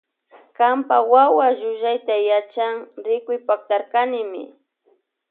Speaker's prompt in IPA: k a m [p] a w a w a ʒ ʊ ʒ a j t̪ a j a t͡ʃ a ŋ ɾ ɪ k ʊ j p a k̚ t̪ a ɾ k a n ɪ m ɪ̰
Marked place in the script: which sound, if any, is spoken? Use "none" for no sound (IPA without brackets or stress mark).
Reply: p